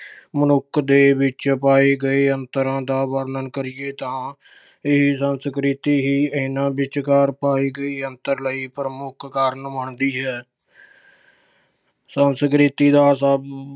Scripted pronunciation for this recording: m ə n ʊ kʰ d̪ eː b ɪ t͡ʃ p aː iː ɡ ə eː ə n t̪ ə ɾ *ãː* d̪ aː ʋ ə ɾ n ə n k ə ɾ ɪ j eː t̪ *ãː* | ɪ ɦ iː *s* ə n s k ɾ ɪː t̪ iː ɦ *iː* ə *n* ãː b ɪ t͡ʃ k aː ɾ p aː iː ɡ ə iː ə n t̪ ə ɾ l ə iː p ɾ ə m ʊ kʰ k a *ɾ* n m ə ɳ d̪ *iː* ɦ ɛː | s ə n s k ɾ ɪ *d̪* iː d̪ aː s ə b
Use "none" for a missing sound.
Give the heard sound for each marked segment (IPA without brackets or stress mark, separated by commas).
ãː, ãː, s, iː, n, ɾ, iː, t̪